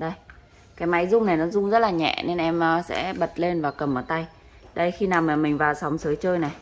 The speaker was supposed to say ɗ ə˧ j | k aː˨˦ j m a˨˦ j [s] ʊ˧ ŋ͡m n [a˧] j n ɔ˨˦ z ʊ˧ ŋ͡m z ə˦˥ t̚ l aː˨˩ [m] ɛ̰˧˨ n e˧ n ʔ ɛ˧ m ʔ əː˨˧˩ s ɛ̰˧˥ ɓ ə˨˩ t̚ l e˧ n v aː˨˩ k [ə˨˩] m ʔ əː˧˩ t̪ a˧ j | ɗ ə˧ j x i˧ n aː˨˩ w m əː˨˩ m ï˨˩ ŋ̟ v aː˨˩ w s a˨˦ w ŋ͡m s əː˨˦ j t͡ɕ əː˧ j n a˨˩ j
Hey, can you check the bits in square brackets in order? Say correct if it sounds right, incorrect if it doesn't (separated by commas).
incorrect, incorrect, incorrect, correct